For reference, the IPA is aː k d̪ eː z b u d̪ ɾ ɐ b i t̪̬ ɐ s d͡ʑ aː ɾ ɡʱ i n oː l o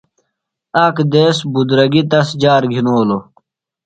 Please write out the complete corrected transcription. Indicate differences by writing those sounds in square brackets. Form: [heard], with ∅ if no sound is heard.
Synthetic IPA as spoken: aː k d̪ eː [s] b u d̪ ɾ ɐ [ɡ] i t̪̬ ɐ s d͡ʑ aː ɾ ɡʱ i n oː l o